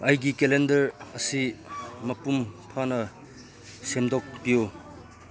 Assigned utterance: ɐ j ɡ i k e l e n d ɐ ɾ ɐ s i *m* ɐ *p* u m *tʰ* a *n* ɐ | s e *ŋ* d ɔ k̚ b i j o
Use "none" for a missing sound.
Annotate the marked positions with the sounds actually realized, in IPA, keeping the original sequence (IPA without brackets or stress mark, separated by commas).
m, p, pʰ, n, m